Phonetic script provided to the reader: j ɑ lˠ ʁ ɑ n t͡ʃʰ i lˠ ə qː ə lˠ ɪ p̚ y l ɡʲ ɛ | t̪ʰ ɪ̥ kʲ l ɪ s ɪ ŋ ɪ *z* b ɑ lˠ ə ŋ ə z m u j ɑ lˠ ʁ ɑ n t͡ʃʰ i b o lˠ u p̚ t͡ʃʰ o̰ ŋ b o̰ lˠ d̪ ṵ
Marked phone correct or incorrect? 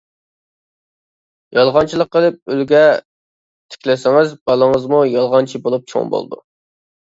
correct